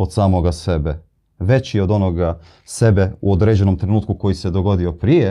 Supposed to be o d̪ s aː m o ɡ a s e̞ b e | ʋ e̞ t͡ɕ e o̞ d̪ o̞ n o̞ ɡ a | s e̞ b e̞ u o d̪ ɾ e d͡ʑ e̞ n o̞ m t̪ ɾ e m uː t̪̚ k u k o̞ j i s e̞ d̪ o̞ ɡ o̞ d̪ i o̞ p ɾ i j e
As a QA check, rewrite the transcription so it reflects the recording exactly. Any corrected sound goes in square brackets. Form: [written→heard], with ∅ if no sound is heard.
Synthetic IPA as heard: o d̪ s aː m o ɡ a s e̞ b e | ʋ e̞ t͡ɕ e o̞ d̪ o̞ n o̞ ɡ a | s e̞ b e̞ u o d̪ ɾ e d͡ʑ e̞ n o̞ m t̪ ɾ e [m→n] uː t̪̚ k u k o̞ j i s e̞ d̪ o̞ ɡ o̞ d̪ i o̞ p ɾ i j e